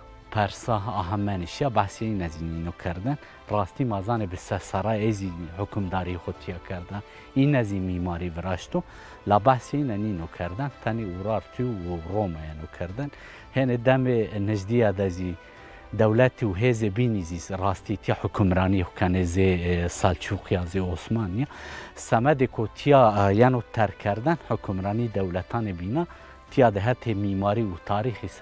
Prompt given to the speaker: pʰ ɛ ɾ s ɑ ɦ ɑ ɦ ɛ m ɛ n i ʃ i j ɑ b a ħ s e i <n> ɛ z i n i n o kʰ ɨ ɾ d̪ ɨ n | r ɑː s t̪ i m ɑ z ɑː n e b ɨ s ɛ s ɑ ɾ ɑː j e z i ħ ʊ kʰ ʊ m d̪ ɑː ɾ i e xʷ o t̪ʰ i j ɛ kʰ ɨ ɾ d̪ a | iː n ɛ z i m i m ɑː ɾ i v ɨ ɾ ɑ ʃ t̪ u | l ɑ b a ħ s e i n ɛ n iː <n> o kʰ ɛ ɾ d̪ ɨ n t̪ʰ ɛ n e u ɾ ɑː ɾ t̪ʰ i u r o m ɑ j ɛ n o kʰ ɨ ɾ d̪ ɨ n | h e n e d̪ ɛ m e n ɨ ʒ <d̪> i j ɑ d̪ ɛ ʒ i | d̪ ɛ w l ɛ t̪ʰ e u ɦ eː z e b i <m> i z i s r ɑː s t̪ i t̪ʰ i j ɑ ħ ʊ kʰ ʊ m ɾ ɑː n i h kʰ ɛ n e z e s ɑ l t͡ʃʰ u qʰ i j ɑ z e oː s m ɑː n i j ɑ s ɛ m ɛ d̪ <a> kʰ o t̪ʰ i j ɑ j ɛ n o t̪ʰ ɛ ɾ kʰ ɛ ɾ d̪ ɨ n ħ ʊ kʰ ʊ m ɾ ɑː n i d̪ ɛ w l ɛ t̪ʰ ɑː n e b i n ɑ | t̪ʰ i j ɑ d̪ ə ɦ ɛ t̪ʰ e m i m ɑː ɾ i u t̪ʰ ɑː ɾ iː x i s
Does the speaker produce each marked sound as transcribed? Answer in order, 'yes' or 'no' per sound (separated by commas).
yes, yes, yes, no, no